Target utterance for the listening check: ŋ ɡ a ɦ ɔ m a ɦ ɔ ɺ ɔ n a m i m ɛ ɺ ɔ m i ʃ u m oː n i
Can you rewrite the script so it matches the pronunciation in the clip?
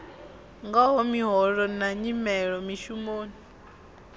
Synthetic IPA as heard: ŋ ɡ a ɦ ɔ m i ɦ ɔ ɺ ɔ n a ɲ i m ɛ ɺ ɔ m i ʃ u m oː n i